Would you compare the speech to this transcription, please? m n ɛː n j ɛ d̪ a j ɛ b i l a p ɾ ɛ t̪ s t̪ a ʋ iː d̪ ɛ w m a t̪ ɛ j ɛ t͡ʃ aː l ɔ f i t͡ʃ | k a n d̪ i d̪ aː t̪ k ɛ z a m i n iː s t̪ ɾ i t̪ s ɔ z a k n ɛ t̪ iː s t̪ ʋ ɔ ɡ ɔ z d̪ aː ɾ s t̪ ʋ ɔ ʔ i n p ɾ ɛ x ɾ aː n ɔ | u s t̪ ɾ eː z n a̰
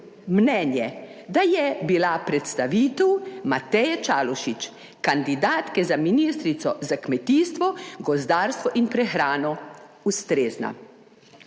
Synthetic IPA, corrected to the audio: m n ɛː n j ɛ d̪ a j ɛ b i l a p ɾ ɛ t̪ s t̪ a ʋ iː t̪ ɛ w m a t̪ ɛ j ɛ t͡ʃ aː l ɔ ʃ i t͡ʃ | k a n d̪ i d̪ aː t̪ k ɛ z a m i n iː s t̪ ɾ i t̪ s ɔ z a k m ɛ t̪ iː s t̪ ʋ ɔ ɡ ɔ z d̪ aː ɾ s t̪ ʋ ɔ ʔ i n p ɾ ɛ x ɾ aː n ɔ | u s t̪ ɾ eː z n a̰